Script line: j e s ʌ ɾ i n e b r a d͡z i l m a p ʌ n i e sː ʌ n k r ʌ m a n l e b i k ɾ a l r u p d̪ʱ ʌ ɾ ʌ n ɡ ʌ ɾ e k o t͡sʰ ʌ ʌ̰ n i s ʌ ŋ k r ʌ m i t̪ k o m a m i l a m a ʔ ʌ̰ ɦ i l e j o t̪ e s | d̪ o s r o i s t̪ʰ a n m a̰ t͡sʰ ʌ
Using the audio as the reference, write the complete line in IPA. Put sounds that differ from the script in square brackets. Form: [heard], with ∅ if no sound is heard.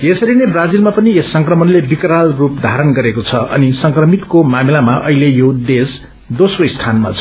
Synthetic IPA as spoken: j e s ʌ ɾ i n e b r a d͡z i l m a p ʌ n i e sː ʌ [ŋ] k r ʌ m [ʌ] n l e b i k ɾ a l r u p d̪ʱ [a] ɾ ʌ n ɡ ʌ ɾ e k o t͡sʰ ʌ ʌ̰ n i s ʌ ŋ k r ʌ m i t̪ k o m a m i l a m a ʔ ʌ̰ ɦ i l e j o [d̪] e s | d̪ o s r o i s t̪ʰ a n m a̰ t͡sʰ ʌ